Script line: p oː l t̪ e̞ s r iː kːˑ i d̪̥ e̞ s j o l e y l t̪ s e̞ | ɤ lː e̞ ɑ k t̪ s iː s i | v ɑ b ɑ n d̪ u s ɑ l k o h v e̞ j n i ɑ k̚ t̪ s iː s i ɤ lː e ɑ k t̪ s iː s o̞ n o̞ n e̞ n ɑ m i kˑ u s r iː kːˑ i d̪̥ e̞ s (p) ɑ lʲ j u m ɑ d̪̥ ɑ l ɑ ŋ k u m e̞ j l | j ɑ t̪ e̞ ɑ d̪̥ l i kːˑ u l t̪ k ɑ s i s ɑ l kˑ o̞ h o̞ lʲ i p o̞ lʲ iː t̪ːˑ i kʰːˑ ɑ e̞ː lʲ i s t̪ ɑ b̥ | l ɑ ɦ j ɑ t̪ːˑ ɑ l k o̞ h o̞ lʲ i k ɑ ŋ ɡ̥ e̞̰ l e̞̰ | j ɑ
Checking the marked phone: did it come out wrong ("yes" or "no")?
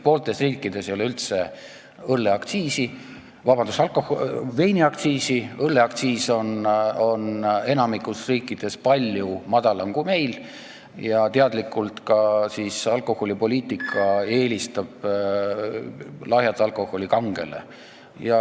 no